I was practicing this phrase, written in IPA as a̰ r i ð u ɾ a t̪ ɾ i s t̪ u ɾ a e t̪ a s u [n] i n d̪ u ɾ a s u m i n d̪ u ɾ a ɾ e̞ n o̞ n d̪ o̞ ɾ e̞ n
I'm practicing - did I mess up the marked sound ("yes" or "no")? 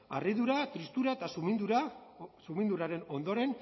yes